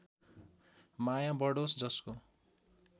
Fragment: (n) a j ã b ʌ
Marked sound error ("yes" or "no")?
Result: yes